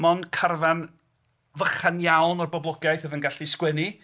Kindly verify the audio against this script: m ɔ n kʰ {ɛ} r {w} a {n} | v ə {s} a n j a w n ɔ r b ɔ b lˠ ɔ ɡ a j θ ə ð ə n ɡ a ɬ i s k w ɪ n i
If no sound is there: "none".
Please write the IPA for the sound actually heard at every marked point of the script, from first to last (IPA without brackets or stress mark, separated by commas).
a, v, n, χ